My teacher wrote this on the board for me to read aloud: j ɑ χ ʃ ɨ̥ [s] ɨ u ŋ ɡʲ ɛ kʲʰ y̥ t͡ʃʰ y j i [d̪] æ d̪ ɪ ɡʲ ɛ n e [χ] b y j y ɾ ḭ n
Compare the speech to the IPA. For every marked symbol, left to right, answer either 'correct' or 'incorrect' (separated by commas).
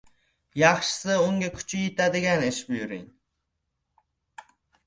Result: correct, incorrect, incorrect